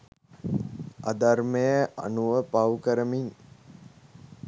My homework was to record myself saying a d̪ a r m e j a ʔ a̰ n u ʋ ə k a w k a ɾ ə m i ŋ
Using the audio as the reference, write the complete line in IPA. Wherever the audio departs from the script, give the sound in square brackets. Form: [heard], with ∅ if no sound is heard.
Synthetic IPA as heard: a d̪ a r m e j [ə] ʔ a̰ n u ʋ ə [p] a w k [ə] ɾ ə m i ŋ